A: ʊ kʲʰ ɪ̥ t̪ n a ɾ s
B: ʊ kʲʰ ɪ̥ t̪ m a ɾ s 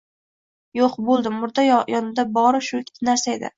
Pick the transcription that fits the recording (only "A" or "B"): A